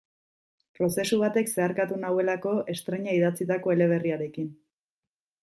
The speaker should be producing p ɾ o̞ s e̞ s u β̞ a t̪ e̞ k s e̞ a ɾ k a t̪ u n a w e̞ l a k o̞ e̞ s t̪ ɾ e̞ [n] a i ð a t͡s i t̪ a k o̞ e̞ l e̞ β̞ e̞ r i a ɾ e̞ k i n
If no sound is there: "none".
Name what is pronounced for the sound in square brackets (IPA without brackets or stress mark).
ɲ